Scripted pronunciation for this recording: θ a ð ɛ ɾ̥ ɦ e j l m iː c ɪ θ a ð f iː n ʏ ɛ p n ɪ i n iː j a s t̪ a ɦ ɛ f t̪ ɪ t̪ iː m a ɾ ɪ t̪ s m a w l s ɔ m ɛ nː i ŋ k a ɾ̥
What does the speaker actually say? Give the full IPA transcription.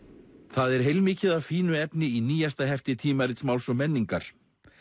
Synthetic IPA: θ a ð ɛ ɾ̥ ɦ e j l m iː c ɪ ð a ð f iː n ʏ ɛ p n ɪ i n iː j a s t̪ a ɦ ɛ f t̪ ɪ t̪ʰ iː m a ɾ ɪ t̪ s m a w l s ɔ m ɛ nː i ŋ k a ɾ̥